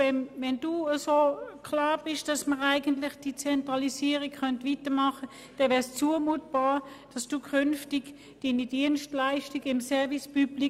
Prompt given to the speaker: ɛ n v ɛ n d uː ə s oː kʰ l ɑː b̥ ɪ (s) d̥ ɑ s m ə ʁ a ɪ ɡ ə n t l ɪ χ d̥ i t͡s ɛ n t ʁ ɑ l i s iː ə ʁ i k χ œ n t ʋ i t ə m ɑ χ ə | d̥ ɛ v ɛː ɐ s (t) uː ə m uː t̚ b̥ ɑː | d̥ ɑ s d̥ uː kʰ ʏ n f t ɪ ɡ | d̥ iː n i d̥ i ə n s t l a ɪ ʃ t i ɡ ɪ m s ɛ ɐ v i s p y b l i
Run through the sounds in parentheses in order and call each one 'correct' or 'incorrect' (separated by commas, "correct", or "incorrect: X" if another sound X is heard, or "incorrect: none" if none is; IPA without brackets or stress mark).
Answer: incorrect: ʃ, incorrect: t͡s